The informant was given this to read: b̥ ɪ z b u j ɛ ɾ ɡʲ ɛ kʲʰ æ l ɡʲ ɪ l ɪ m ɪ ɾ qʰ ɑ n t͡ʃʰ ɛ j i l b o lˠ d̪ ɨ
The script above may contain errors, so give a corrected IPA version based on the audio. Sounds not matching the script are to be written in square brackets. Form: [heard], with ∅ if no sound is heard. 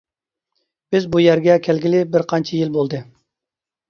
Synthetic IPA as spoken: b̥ ɪ z b u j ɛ ɾ ɡʲ ɛ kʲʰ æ l ɡʲ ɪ l ɪ [b] ɪ ɾ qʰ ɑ n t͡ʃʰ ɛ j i l b o lˠ d̪ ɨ